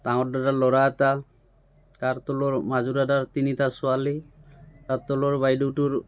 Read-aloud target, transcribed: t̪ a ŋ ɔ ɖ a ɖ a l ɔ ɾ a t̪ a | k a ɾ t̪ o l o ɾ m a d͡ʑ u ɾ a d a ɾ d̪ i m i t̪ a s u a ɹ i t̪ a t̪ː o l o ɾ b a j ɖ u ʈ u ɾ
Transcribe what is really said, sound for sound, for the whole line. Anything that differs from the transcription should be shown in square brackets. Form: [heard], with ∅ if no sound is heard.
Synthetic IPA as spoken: t̪ a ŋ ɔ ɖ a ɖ a l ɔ ɾ a t̪ a | k a ɾ t̪ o l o ɾ m a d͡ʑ u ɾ a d a ɾ [t̪] i [n] i t̪ a s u a [l] i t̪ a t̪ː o l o ɾ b a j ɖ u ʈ u ɾ